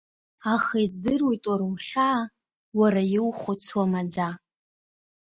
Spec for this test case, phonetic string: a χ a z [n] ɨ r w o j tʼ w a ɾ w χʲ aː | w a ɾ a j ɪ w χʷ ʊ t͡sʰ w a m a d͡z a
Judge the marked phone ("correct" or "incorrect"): incorrect